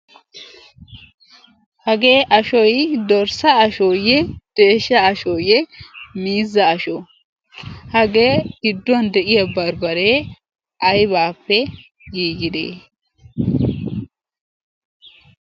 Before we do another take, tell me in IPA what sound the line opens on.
h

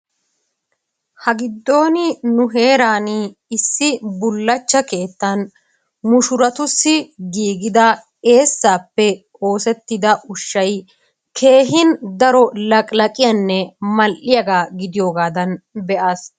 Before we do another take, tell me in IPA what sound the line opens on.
h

